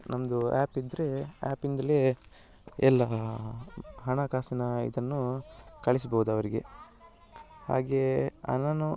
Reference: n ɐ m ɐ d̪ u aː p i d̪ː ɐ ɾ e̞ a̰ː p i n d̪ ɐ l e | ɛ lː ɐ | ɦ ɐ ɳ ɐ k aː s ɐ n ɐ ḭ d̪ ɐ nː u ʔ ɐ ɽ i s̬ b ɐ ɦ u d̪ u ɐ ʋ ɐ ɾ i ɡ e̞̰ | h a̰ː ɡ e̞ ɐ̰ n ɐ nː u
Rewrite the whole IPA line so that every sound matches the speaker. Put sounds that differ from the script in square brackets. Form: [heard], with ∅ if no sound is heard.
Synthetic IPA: n ɐ m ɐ d̪ u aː p i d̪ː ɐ ɾ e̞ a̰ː p i n d̪ ɐ l e | ɛ lː ɐ | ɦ ɐ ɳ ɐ k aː s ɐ n ɐ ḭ d̪ ɐ nː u [k] ɐ [ɭ] i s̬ b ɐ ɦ u d̪ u ɐ ʋ ɐ ɾ i ɡ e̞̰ | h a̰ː ɡ e̞ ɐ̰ n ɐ [n] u